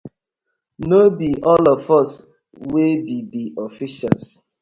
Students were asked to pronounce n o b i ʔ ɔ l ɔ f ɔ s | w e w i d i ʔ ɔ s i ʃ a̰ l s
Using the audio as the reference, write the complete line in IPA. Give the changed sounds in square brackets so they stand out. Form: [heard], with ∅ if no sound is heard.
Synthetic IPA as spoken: n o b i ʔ ɔ l ɔ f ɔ s | w e [b] i d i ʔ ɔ [f] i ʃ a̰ l s